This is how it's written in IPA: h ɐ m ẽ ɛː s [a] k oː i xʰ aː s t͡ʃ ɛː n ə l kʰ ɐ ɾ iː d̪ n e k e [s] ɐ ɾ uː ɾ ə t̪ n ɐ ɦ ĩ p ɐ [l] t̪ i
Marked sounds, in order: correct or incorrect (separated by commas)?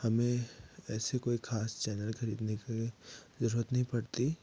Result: incorrect, incorrect, incorrect